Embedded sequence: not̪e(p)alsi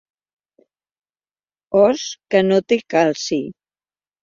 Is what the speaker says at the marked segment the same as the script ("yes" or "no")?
no